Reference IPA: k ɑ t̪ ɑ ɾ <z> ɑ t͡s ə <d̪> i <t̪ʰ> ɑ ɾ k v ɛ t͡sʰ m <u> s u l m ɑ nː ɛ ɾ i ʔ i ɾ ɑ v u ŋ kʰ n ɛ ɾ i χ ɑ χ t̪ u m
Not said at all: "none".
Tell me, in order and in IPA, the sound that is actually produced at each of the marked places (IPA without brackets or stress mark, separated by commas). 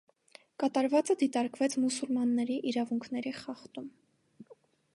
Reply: v, d̪, t̪, u